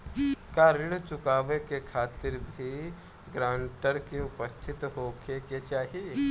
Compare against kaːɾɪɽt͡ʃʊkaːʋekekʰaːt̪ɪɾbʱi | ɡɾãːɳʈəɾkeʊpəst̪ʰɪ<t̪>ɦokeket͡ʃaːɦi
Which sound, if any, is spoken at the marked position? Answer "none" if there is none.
t̪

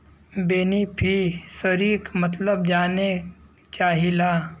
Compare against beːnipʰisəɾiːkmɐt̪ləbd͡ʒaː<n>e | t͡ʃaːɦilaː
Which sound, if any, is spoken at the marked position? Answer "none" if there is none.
n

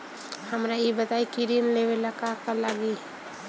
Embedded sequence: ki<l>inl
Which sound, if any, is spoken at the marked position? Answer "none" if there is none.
ɾ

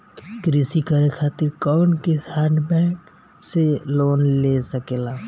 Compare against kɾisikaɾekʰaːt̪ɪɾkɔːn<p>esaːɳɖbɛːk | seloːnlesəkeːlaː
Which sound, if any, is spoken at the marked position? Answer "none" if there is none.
k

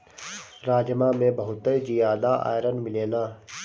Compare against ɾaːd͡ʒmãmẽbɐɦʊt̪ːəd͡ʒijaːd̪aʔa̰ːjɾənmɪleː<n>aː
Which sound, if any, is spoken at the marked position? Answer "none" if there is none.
n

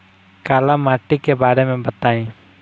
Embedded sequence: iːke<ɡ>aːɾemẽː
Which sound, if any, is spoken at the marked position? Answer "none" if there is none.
b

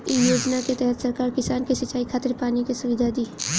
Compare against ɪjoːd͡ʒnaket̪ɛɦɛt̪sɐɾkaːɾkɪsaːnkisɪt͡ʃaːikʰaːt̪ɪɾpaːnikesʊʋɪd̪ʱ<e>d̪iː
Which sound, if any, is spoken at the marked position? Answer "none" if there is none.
a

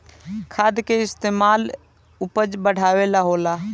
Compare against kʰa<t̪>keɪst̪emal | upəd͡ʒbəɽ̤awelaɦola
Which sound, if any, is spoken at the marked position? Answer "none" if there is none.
d̪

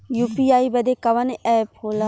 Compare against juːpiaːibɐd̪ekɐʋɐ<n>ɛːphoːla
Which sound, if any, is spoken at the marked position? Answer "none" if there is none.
n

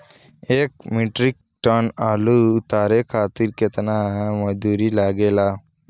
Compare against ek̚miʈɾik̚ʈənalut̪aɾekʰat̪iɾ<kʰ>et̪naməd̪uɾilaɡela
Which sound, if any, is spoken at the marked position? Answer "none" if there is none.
k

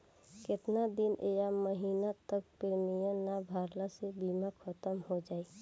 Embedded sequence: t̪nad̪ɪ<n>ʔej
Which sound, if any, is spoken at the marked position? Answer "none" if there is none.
n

